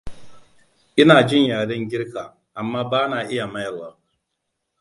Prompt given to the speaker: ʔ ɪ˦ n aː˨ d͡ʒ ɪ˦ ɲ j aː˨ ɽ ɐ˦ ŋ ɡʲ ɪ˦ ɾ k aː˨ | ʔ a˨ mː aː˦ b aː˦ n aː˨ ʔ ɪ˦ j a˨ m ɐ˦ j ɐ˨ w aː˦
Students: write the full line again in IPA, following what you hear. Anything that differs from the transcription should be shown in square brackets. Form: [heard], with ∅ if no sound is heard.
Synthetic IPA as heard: ʔ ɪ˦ n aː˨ d͡ʒ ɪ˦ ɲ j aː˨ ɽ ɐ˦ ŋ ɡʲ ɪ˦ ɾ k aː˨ | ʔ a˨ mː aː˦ b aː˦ n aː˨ ʔ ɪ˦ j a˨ m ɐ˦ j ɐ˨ w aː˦